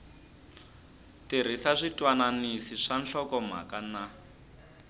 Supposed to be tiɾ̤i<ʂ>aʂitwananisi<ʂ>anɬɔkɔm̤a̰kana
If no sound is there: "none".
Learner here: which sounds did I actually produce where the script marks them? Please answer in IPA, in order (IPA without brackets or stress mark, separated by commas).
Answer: s, ʂ